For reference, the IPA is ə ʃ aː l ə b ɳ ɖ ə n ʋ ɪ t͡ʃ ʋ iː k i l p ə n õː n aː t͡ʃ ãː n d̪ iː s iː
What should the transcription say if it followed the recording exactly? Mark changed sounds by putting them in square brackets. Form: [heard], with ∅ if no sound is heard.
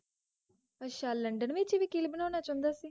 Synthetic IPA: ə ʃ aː l ə [∅] ɳ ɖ ə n ʋ ɪ t͡ʃ ʋ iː k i l [b] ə n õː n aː t͡ʃ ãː n d̪ [aː] s iː